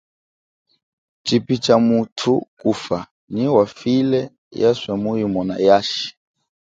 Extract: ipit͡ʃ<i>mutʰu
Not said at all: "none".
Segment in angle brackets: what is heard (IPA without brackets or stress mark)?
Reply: a